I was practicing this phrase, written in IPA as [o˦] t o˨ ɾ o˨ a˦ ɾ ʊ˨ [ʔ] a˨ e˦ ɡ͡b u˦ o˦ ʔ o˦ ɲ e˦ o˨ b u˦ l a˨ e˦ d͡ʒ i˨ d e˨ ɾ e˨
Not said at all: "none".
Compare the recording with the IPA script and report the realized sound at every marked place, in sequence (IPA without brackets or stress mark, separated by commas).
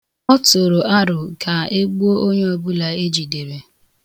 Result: ɔ˦, k